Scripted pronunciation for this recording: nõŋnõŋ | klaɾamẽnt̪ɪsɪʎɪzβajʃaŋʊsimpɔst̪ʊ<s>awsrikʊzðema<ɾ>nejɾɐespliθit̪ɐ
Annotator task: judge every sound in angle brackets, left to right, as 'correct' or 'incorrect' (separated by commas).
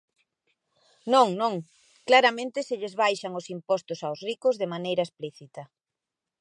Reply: correct, incorrect